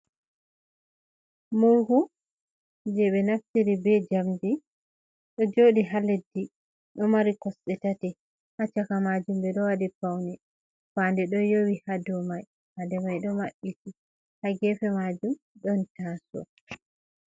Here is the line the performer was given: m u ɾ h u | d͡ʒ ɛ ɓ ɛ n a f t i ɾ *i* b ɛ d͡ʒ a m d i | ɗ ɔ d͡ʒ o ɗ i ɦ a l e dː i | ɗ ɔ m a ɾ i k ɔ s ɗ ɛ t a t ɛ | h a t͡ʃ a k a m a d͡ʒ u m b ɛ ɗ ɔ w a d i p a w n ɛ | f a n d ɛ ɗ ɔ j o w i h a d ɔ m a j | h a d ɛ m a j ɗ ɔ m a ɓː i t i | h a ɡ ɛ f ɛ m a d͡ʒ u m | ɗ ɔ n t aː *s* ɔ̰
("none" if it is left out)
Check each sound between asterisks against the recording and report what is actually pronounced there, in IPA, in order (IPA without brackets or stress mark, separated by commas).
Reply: i, s